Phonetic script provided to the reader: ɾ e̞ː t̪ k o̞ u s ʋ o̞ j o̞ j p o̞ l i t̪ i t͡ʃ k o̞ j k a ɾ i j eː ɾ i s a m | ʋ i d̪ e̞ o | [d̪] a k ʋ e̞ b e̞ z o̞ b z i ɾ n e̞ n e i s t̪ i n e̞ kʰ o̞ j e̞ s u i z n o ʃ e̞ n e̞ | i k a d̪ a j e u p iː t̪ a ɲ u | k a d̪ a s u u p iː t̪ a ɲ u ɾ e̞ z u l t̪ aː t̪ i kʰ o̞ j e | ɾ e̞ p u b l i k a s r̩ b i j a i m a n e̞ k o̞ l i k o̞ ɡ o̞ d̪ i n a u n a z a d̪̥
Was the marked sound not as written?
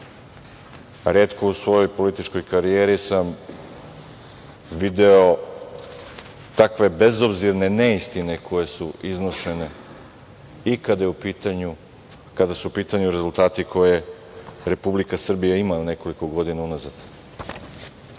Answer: yes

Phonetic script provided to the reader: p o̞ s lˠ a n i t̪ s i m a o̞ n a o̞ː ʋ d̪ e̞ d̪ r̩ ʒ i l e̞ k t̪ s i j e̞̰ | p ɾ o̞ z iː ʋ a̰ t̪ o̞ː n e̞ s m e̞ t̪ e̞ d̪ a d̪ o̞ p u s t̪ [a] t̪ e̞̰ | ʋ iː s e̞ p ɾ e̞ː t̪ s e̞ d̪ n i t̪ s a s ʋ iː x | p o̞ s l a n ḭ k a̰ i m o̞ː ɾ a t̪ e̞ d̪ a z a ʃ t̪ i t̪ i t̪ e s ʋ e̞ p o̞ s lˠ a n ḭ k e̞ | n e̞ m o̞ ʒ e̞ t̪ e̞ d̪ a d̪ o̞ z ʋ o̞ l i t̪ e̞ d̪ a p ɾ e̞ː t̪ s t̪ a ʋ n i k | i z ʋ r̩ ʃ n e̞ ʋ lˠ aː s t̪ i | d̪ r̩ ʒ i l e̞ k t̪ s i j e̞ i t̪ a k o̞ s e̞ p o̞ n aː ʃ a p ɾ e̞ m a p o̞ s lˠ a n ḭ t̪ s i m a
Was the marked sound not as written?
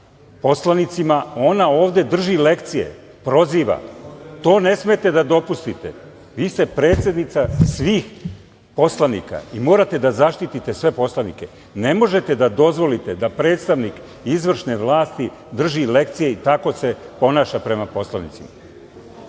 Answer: yes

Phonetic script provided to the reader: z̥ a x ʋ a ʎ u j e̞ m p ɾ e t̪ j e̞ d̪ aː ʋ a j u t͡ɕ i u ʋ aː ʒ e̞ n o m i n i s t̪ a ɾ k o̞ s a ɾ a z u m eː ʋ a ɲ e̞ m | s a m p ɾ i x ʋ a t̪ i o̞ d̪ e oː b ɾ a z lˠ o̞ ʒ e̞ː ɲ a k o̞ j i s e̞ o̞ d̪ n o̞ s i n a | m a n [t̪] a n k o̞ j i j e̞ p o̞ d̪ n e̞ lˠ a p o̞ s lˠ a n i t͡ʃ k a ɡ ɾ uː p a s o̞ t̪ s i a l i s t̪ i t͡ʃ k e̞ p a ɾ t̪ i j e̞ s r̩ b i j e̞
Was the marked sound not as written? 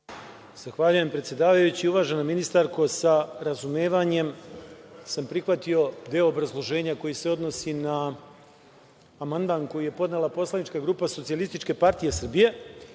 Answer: yes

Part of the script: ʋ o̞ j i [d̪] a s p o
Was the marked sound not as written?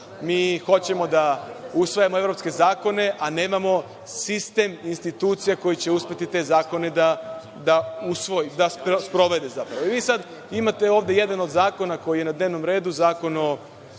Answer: no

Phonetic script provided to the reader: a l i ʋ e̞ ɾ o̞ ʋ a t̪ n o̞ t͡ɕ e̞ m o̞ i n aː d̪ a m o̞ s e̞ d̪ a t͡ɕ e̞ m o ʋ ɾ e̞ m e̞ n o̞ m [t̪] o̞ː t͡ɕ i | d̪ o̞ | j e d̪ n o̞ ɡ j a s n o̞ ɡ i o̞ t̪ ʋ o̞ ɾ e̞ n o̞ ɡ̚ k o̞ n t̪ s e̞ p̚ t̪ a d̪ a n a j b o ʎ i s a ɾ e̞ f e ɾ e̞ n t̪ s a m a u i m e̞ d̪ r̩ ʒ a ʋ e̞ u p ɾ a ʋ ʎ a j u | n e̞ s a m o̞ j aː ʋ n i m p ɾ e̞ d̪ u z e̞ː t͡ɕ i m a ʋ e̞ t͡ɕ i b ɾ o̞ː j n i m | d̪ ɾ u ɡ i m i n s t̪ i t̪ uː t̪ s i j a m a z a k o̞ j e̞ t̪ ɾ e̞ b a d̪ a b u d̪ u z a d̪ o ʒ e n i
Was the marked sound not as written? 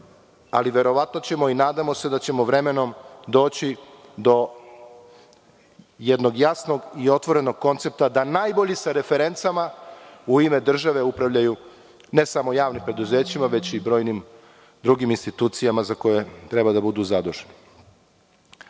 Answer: yes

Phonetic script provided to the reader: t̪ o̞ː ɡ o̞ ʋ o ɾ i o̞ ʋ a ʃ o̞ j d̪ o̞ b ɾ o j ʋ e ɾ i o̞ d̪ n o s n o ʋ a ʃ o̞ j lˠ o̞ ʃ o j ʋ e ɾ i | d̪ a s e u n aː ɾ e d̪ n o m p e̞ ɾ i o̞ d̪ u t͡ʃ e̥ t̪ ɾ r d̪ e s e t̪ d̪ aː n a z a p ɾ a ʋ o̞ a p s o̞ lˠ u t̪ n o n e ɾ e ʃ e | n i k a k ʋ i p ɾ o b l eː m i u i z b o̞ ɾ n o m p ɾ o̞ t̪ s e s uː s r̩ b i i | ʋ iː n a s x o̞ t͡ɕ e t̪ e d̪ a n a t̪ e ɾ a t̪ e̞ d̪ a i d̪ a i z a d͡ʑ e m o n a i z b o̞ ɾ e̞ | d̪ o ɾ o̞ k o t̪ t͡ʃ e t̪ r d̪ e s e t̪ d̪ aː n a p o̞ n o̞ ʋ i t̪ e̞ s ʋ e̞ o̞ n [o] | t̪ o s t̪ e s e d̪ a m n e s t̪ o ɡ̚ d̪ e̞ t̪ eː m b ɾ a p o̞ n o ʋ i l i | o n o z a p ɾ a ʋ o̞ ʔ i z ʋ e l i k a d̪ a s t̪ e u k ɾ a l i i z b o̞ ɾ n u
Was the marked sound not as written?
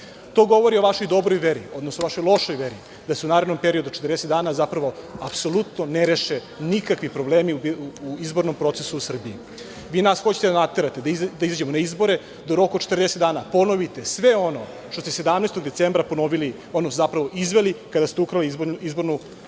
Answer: no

